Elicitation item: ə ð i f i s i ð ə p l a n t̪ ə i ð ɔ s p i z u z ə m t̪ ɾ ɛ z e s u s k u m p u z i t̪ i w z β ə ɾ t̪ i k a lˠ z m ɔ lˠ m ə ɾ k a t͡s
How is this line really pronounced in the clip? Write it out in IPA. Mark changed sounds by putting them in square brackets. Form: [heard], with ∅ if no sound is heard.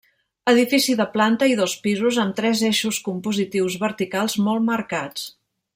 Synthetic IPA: ə ð i f i s i ð ə p l a n t̪ ə i ð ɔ s p i z u z ə m t̪ ɾ ɛ z e [ʃ] u s k u m p u z i t̪ i w z β ə ɾ t̪ i k a lˠ z m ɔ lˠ m ə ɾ k a t͡s